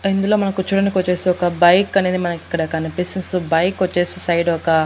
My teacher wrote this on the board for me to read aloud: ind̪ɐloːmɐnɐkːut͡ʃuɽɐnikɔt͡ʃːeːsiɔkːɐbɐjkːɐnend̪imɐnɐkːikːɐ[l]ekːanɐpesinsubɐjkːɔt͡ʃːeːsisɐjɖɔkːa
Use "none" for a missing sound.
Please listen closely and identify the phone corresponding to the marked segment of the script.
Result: ɽ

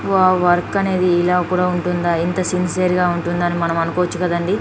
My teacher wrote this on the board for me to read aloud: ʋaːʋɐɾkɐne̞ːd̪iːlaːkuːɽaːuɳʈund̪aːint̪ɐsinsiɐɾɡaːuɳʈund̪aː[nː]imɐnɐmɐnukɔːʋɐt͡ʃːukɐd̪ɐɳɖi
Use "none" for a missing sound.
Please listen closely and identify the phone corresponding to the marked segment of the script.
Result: n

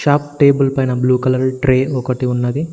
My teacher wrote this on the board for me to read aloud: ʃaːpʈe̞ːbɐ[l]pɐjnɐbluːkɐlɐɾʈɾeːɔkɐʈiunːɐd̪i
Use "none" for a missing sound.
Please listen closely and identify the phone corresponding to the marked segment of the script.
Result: l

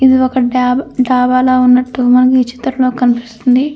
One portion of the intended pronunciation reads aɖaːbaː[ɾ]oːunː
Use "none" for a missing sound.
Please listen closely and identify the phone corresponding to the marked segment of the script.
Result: l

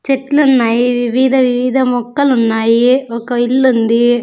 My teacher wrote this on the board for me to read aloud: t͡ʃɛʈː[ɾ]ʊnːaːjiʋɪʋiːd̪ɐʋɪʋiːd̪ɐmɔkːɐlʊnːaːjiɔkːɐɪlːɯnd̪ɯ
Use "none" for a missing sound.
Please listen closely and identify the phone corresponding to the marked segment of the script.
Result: l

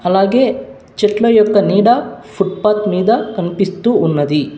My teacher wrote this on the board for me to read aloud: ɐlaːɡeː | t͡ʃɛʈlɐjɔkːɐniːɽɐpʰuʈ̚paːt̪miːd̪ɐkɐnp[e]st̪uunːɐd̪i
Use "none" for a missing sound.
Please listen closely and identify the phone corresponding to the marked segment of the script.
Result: i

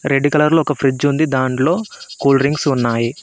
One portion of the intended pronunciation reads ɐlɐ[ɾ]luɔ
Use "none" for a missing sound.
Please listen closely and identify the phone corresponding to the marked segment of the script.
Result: ɾ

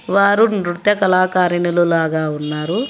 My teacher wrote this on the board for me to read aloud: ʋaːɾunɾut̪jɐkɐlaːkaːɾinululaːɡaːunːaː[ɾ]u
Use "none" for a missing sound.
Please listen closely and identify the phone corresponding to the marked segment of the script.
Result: ɾ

